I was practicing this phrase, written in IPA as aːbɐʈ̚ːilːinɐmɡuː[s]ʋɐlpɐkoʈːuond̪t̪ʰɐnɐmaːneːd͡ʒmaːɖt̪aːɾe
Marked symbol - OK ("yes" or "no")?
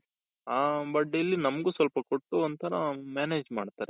yes